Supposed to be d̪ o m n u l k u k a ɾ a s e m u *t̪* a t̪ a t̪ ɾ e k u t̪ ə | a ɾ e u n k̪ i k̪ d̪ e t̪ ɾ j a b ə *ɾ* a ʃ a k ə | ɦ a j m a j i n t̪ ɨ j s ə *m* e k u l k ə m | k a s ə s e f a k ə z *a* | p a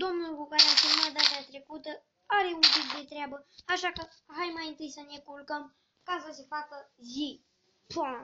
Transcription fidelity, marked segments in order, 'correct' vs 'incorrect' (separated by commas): incorrect, incorrect, incorrect, incorrect